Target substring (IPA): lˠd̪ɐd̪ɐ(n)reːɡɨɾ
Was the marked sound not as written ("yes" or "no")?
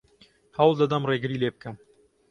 yes